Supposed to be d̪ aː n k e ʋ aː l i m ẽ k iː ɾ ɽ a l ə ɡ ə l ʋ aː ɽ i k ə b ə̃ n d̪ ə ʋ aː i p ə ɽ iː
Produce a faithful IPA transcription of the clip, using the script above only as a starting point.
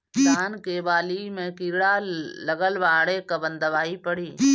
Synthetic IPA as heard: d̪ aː n k e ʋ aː l i m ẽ k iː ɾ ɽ a l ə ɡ ə l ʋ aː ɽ e k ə b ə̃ n d̪ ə ʋ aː i p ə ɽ iː